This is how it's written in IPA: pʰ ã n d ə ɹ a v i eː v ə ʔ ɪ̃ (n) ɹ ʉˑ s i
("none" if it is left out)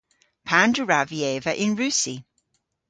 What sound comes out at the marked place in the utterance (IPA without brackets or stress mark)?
n